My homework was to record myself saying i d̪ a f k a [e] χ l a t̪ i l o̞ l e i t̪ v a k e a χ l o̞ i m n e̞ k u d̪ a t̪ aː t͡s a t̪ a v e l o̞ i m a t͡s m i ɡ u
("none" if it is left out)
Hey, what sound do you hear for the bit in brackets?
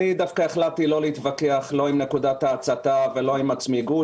e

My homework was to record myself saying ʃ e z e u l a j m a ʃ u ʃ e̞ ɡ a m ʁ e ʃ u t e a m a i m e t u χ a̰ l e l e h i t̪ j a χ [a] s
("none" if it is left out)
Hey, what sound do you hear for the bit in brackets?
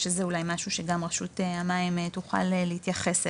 e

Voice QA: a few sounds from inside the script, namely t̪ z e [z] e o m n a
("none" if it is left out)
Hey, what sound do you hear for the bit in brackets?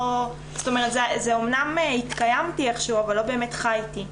z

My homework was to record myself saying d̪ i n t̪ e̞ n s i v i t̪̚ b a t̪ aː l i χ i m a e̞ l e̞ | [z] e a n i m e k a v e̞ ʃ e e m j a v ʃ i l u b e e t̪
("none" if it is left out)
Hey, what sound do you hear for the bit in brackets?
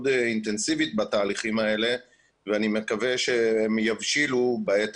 v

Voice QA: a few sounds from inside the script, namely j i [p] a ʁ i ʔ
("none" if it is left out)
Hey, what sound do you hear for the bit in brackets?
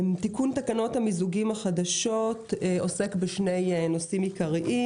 k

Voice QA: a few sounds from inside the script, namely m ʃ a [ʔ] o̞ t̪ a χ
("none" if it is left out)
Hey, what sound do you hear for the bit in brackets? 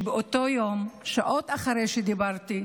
ʔ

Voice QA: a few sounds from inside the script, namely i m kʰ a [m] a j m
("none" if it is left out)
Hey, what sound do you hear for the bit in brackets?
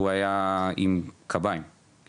b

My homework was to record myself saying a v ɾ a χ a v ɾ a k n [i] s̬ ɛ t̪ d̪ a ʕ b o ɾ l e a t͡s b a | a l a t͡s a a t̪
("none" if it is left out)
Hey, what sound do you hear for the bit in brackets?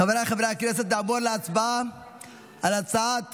ɛ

